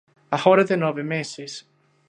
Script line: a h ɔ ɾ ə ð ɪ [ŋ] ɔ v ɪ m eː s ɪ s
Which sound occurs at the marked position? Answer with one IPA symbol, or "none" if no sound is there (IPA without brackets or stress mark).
n